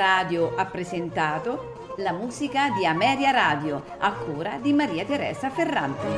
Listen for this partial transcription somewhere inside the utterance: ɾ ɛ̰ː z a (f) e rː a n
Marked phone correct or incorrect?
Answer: correct